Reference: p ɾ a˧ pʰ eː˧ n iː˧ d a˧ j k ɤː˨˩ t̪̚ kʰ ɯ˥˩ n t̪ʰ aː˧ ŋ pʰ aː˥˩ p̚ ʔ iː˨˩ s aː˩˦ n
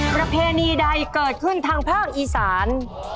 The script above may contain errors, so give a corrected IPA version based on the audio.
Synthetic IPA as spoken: p ɾ a˧ pʰ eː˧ n iː˧ d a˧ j k ɤː˨˩ t̪̚ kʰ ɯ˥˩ n t̪ʰ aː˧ ŋ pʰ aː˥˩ k̚ ʔ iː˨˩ s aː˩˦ n